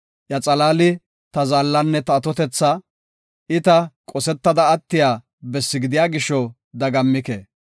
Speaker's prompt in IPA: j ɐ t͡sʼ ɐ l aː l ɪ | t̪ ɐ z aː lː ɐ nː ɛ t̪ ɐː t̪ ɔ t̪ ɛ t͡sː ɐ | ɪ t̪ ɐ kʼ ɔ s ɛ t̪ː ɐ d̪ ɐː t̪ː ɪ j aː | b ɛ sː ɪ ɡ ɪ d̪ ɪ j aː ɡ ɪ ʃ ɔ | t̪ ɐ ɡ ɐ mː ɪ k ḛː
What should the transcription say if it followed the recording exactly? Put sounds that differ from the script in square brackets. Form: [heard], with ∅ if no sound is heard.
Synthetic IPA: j ɐ t͡sʼ ɐ l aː l ɪ | t̪ ɐ z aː lː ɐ nː ɛ t̪ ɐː t̪ ɔ t̪ ɛ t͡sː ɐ | ɪ t̪ ɐ kʼ ɔ s ɛ t̪ː ɐ d̪ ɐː t̪ː ɪ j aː | b ɛ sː ɪ ɡ ɪ d̪ ɪ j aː ɡ ɪ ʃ ɔ | [d̪] ɐ ɡ ɐ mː ɪ k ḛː

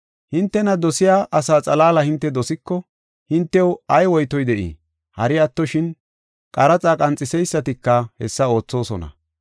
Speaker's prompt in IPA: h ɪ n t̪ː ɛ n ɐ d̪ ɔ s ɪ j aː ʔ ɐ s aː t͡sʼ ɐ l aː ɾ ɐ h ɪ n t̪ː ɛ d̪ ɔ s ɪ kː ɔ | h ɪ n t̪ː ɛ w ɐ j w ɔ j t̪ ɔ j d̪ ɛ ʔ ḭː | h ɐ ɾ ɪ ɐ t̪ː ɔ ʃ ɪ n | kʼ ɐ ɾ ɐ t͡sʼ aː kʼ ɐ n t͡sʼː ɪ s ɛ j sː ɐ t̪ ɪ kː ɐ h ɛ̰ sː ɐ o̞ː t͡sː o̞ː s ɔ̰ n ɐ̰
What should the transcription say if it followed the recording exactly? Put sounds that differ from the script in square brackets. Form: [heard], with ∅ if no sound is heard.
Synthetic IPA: h ɪ n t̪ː ɛ n ɐ d̪ ɔ s ɪ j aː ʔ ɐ s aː t͡sʼ ɐ l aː [l] ɐ h ɪ n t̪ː ɛ d̪ ɔ s ɪ kː ɔ | h ɪ n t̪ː ɛ w ɐ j w ɔ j t̪ ɔ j d̪ ɛ ʔ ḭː | h ɐ ɾ ɪ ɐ t̪ː ɔ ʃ ɪ n | kʼ ɐ ɾ ɐ t͡sʼ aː kʼ ɐ n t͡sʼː ɪ s ɛ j sː ɐ t̪ ɪ kː ɐ h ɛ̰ sː ɐ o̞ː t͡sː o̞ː s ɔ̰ n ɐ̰

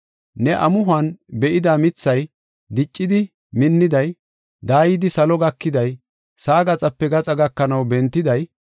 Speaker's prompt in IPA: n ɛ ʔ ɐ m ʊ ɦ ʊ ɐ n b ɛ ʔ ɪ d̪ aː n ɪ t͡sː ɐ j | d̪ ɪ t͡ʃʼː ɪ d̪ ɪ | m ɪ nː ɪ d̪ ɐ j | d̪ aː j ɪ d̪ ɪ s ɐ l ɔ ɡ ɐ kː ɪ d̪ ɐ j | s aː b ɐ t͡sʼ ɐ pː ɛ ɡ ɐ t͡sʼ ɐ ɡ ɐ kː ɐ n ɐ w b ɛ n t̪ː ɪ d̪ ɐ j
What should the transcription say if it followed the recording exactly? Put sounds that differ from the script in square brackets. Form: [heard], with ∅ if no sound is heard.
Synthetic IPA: n ɛ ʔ ɐ m ʊ ɦ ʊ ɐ n b ɛ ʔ ɪ d̪ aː [m] ɪ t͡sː ɐ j | d̪ ɪ t͡ʃʼː ɪ d̪ ɪ | m ɪ nː ɪ d̪ ɐ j | d̪ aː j ɪ d̪ ɪ s ɐ l ɔ ɡ ɐ kː ɪ d̪ ɐ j | s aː [ɡ] ɐ t͡sʼ ɐ pː ɛ ɡ ɐ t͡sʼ ɐ ɡ ɐ kː ɐ n ɐ w b ɛ n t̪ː ɪ d̪ ɐ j

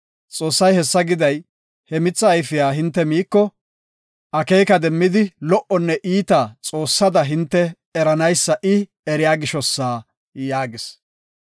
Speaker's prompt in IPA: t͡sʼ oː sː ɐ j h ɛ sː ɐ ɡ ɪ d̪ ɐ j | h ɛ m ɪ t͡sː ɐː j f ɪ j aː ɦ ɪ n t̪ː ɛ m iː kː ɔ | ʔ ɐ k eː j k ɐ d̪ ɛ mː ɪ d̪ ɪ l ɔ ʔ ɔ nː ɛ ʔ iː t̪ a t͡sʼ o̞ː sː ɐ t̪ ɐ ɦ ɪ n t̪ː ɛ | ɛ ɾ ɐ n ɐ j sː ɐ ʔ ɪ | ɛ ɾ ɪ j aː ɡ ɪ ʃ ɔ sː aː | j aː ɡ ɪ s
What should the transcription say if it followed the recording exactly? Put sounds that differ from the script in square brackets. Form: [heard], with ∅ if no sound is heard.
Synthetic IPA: t͡sʼ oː sː ɐ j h ɛ sː ɐ ɡ ɪ d̪ ɐ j | h ɛ m ɪ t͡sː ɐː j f ɪ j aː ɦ ɪ n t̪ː ɛ m iː kː ɔ | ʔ ɐ k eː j k ɐ d̪ ɛ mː ɪ d̪ ɪ l ɔ ʔ ɔ nː ɛ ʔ iː t̪ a t͡sʼ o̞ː sː ɐ [d̪] ɐ ɦ ɪ n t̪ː ɛ | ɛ ɾ ɐ n ɐ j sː ɐ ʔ ɪ | ɛ ɾ ɪ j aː ɡ ɪ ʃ ɔ sː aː | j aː ɡ ɪ s

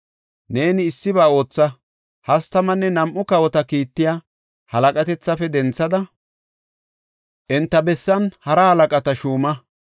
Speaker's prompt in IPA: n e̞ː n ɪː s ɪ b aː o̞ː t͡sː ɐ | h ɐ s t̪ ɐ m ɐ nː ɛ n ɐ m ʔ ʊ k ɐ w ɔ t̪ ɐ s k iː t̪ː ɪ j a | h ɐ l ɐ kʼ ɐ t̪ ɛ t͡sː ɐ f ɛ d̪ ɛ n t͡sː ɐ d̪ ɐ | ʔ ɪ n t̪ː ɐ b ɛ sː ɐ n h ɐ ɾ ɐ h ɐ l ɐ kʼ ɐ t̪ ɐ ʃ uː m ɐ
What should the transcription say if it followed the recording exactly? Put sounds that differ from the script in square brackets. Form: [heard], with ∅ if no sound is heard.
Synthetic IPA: n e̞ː n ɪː [sː] ɪ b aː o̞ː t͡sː ɐ | h ɐ s t̪ ɐ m ɐ nː ɛ n ɐ m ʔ ʊ k ɐ w ɔ t̪ ɐ [∅] k iː t̪ː ɪ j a | h ɐ l ɐ kʼ ɐ t̪ ɛ t͡sː ɐ f ɛ d̪ ɛ n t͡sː ɐ d̪ ɐ | ʔ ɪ n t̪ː ɐ b ɛ sː ɐ n h ɐ ɾ ɐ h ɐ l ɐ kʼ ɐ t̪ ɐ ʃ uː m ɐ

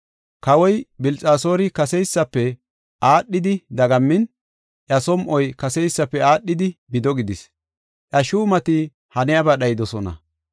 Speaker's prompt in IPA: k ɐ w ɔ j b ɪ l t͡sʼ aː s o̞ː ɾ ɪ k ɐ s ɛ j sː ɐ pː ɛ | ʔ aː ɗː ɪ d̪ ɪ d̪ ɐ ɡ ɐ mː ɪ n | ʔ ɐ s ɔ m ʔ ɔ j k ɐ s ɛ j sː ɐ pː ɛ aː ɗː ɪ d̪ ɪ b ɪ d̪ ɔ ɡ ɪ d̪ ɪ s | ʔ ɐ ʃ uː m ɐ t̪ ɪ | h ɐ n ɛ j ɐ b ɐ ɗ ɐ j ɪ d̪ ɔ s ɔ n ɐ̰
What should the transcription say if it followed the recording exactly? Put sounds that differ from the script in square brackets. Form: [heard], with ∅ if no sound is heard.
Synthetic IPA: k ɐ w ɔ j b ɪ l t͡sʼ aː s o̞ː ɾ ɪ k ɐ s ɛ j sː ɐ pː ɛ | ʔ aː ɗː ɪ d̪ ɪ d̪ ɐ ɡ ɐ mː ɪ n | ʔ ɐ s ɔ m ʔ ɔ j k ɐ s ɛ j sː ɐ pː ɛ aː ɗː ɪ d̪ ɪ b ɪ d̪ ɔ ɡ ɪ d̪ ɪ s | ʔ ɐ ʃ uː m ɐ t̪ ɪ | h ɐ n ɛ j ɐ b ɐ ɗ ɐ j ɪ d̪ ɔ s ɔ n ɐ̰

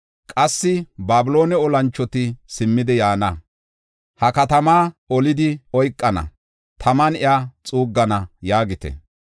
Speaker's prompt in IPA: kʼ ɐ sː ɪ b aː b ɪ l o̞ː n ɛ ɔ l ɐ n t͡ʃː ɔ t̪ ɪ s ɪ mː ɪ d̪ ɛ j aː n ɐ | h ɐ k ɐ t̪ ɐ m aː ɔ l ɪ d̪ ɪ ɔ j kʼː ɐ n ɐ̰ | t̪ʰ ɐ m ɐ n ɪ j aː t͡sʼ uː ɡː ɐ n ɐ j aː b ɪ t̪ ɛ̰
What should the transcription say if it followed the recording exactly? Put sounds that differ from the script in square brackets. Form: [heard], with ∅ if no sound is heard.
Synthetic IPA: kʼ ɐ sː ɪ b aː b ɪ l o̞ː n ɛ ɔ l ɐ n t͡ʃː ɔ t̪ ɪ s ɪ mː ɪ d̪ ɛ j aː n ɐ | h ɐ k ɐ t̪ ɐ m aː ɔ l ɪ d̪ ɪ ɔ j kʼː ɐ n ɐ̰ | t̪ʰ ɐ m ɐ n ɪ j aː t͡sʼ uː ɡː ɐ n ɐ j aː [ɡ] ɪ t̪ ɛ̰

